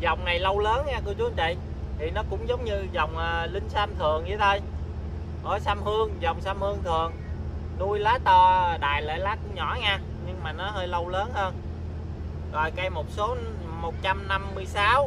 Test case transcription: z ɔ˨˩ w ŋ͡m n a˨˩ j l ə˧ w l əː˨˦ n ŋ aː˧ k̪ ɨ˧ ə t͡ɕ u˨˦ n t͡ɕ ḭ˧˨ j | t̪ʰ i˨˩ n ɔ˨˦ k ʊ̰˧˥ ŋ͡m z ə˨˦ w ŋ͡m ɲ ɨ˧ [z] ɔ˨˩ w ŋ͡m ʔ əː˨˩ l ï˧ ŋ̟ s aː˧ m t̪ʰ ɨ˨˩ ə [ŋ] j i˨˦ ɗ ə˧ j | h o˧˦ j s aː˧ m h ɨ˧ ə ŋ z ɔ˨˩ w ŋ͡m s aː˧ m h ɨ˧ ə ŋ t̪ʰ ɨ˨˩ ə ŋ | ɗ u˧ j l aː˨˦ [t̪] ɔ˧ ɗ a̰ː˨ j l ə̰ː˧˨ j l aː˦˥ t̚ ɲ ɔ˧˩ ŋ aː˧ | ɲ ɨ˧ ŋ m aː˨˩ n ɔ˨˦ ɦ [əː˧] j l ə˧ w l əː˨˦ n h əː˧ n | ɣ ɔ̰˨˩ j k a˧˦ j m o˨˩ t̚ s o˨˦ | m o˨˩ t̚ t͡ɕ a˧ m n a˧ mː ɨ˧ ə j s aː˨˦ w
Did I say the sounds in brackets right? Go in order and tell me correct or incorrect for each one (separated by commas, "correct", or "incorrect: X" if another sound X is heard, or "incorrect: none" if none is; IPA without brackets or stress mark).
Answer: correct, correct, correct, correct